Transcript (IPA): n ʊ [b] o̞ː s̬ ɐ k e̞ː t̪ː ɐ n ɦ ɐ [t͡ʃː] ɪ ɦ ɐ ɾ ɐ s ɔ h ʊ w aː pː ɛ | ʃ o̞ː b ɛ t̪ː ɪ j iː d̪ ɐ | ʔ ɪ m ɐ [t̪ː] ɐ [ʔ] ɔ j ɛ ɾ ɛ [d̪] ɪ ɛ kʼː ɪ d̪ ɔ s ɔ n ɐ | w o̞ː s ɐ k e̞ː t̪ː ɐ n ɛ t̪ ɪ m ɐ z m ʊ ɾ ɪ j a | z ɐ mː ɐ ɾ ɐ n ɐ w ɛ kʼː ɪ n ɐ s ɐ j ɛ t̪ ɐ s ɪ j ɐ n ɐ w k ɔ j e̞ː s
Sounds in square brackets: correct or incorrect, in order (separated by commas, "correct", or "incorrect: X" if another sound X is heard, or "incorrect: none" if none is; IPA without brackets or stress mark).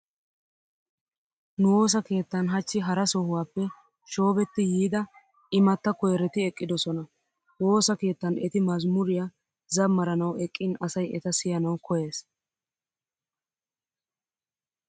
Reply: incorrect: w, correct, correct, incorrect: k, incorrect: t̪